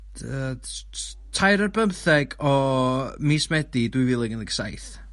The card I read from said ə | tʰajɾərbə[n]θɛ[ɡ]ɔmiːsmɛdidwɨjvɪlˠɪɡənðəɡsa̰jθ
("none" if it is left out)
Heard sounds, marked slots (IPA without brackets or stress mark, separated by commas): m, ɡ